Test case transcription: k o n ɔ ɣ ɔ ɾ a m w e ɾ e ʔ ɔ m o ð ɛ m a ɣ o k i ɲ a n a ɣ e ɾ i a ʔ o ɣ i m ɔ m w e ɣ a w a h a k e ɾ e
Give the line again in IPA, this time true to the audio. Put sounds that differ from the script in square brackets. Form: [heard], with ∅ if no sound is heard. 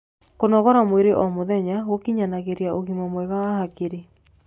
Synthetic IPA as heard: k o n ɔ ɣ ɔ ɾ a m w e ɾ e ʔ ɔ m o ð ɛ [ɲ] a ɣ o k i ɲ a n a ɣ e ɾ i a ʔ o ɣ i m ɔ m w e ɣ a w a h a k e ɾ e